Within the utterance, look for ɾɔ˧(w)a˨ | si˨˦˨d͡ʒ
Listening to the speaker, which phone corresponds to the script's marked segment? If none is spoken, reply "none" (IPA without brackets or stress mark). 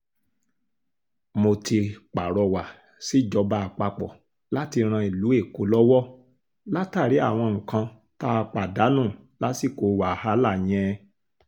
w